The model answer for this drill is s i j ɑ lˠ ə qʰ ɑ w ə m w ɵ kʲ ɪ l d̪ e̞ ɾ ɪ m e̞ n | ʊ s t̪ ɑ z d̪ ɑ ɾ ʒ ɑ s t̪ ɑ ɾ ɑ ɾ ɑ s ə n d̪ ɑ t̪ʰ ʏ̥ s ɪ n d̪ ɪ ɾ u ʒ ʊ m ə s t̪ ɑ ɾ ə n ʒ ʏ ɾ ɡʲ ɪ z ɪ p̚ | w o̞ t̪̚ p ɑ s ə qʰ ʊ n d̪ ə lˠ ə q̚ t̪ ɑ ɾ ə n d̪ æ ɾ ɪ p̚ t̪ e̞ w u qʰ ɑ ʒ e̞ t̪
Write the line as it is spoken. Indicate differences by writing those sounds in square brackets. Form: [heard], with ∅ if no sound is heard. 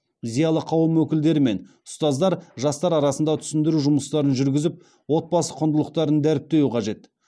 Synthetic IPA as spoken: [z] i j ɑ lˠ ə qʰ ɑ w ə m w ɵ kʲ ɪ l d̪ e̞ ɾ ɪ m e̞ n | ʊ s t̪ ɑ z d̪ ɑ ɾ ʒ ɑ s t̪ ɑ ɾ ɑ ɾ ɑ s ə n d̪ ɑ t̪ʰ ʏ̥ s ɪ n d̪ ɪ ɾ u ʒ ʊ m ə s t̪ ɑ ɾ ə n ʒ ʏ ɾ ɡʲ ɪ z ɪ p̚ | w o̞ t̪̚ [b] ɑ s ə qʰ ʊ n d̪ ə lˠ ə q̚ t̪ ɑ ɾ ə n d̪ æ ɾ ɪ p̚ t̪ e̞ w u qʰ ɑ ʒ e̞ t̪